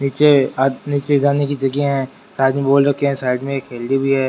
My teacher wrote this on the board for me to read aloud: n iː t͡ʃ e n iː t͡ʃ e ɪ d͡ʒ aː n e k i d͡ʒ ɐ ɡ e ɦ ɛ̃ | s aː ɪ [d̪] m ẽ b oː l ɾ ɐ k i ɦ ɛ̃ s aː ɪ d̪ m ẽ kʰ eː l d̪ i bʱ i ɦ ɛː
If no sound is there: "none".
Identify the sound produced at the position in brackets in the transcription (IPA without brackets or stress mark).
d̪